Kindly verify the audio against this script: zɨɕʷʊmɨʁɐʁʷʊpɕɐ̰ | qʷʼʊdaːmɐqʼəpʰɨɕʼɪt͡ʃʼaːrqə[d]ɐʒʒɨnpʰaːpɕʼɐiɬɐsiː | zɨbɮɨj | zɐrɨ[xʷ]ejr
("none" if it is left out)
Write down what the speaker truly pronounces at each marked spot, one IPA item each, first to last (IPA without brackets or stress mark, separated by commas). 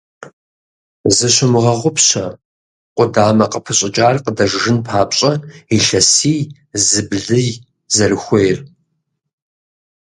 d, xʷ